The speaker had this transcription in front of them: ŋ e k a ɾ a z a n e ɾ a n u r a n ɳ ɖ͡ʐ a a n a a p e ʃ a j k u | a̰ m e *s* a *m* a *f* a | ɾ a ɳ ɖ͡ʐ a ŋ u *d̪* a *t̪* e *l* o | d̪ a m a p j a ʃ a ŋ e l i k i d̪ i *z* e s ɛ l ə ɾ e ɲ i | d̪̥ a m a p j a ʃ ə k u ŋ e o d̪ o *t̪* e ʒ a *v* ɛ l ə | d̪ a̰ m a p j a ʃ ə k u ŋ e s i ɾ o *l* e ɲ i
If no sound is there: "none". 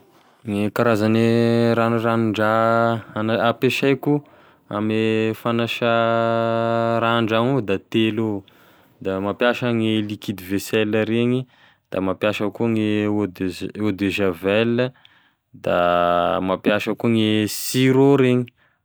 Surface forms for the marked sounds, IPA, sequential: f, n, ʃ, d̪, t̪, l, v, d̪, v, ɾ

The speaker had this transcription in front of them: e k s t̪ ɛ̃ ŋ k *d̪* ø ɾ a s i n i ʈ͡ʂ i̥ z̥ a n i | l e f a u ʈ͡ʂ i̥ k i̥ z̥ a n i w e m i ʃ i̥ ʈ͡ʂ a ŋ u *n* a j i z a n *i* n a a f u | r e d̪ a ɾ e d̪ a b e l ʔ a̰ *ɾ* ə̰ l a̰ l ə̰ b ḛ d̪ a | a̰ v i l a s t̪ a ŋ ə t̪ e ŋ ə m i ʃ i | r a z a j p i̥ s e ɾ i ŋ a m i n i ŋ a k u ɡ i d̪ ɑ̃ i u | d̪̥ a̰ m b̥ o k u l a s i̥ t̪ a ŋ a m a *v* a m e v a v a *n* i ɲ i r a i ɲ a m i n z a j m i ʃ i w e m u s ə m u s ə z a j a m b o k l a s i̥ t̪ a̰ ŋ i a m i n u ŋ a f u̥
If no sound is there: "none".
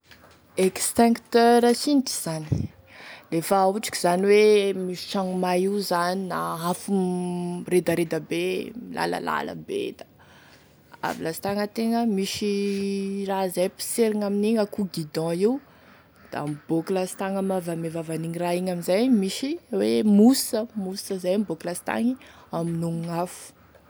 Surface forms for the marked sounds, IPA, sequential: t̪, m, i, l, v, n

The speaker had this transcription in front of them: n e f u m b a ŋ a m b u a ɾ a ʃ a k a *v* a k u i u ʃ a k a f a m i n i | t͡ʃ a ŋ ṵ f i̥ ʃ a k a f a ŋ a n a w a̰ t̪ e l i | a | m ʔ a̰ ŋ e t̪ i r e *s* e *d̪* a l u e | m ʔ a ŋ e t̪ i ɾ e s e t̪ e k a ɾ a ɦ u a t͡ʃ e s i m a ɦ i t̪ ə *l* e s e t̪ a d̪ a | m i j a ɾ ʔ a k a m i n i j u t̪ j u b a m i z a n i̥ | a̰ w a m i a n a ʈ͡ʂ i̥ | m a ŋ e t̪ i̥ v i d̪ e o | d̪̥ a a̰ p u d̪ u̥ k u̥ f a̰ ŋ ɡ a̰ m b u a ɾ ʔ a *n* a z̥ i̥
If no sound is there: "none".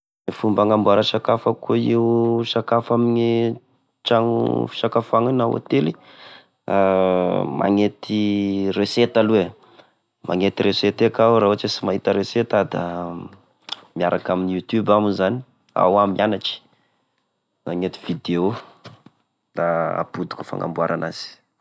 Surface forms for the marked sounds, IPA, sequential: f, s, t̪, ɾ, n

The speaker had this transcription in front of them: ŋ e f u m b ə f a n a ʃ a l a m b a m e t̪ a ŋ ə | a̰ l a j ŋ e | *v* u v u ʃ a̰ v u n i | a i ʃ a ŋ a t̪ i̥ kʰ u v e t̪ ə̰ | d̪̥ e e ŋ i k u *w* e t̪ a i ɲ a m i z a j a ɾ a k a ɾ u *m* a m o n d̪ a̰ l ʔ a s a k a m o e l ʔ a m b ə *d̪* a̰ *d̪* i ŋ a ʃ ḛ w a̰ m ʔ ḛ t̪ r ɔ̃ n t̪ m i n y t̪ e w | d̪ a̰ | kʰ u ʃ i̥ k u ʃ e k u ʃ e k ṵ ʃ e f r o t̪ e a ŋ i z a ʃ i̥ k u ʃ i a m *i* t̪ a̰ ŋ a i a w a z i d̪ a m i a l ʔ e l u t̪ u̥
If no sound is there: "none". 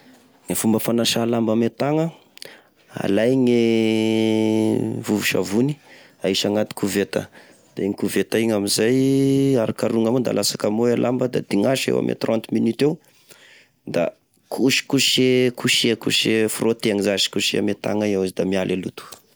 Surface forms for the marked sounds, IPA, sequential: v, v, ŋ, d̪, d̪, e

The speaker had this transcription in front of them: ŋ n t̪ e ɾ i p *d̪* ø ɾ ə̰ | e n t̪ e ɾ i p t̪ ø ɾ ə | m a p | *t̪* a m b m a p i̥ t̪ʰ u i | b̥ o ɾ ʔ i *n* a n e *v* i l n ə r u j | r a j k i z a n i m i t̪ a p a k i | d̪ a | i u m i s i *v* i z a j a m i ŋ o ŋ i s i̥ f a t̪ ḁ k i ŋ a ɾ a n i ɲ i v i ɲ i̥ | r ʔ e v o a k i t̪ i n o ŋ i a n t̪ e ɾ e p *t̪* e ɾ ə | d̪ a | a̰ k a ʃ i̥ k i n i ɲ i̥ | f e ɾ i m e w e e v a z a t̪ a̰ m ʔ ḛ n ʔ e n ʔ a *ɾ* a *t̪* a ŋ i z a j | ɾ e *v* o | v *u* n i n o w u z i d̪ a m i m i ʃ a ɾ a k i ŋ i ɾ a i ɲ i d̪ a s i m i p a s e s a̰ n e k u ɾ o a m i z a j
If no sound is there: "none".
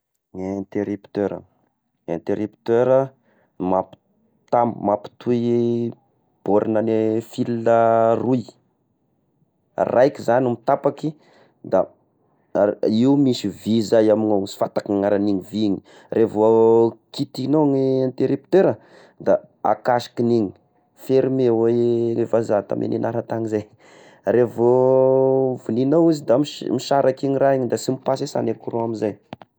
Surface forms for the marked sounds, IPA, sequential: t̪, t̪, n, f, v, t̪, ɾ, t̪, v, u

